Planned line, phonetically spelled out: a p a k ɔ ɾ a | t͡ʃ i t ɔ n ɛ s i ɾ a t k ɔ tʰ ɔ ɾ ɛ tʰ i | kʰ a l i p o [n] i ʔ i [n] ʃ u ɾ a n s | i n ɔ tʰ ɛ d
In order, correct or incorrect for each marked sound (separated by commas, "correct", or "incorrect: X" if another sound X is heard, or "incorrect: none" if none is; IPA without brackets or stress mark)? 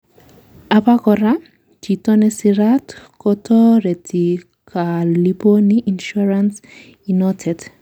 correct, correct